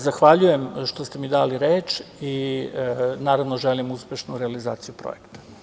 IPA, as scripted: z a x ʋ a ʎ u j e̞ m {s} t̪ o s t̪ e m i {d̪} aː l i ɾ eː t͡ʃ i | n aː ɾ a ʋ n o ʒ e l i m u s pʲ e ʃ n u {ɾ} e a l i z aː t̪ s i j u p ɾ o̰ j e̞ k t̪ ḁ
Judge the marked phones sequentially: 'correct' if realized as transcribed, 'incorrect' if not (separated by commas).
incorrect, correct, correct